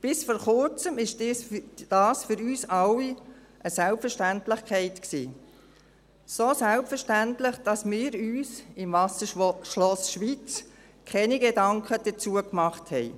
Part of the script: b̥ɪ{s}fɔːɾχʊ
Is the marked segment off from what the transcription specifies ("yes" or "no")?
no